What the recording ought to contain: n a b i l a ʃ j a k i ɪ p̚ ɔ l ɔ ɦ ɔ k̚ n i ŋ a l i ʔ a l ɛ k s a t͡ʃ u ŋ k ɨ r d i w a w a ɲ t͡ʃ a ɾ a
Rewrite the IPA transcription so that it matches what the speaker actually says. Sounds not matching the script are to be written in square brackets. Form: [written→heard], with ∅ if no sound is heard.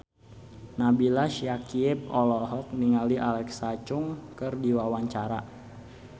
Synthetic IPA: n a b i l a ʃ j a k i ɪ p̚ ɔ l ɔ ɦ ɔ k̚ n i ŋ a l i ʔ a l ɛ k s a t͡ʃ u ŋ k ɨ r d i w a w a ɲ t͡ʃ a ɾ a